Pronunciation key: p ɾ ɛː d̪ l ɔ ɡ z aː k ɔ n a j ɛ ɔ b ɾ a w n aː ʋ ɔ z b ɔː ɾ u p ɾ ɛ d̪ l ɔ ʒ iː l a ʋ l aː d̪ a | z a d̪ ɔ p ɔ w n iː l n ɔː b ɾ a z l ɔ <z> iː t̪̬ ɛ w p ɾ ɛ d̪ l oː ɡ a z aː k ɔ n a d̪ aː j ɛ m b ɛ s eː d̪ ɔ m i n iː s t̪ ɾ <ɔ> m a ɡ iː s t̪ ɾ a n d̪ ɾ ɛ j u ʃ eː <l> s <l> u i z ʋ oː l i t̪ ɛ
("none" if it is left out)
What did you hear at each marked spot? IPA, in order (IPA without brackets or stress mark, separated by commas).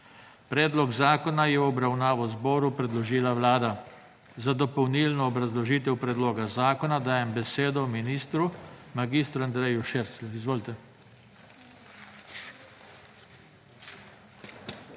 ʒ, u, ɾ, l